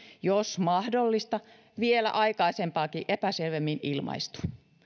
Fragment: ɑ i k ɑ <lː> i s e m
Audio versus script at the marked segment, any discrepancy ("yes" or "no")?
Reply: yes